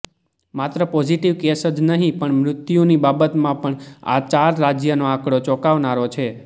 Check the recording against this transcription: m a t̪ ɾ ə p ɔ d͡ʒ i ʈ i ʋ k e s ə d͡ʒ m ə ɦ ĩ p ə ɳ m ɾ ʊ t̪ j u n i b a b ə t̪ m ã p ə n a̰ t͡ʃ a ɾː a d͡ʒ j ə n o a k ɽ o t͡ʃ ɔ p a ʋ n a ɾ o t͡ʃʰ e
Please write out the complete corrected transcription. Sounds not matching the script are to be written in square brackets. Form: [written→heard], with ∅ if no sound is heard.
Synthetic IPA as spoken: m a t̪ ɾ ə p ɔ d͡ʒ i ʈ i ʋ k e s ə d͡ʒ [m→n] ə ɦ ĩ p ə ɳ m ɾ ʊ t̪ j u n i b a b ə t̪ m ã p ə [n→ɳ] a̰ t͡ʃ a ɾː a d͡ʒ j ə n o a k ɽ o t͡ʃ ɔ [p→k] a ʋ n a ɾ o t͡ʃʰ e

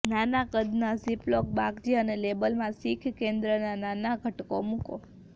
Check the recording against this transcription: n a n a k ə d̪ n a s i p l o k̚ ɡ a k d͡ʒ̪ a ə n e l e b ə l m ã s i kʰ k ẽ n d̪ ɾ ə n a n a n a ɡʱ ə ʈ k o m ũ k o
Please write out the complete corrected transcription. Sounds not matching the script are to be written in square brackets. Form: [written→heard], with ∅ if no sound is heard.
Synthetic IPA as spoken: n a n a k ə d̪ n a s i p l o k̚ [ɡ→b] a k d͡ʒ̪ [a→i] ə n e l e b ə l m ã s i kʰ k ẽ n d̪ ɾ ə n a n a n a ɡʱ ə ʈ k o m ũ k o

